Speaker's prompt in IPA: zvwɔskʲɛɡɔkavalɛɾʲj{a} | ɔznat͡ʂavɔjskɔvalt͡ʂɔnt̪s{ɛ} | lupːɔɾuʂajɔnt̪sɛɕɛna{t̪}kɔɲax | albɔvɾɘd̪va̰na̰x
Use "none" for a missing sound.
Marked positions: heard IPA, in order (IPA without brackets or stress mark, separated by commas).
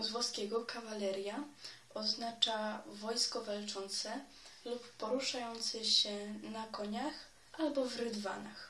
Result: a, ɛ, none